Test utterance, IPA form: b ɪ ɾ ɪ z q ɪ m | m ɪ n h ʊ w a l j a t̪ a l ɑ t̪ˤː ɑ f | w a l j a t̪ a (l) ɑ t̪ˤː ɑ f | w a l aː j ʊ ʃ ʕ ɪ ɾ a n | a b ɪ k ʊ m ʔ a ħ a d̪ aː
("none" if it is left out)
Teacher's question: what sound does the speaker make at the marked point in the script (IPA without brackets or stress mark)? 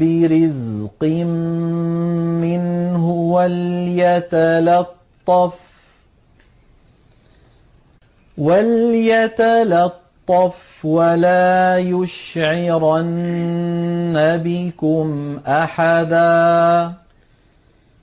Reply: l